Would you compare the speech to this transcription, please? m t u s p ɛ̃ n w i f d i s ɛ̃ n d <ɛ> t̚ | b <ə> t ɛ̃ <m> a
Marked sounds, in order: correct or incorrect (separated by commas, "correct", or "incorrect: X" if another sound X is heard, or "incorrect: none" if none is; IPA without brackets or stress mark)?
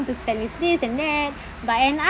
correct, incorrect: a, incorrect: n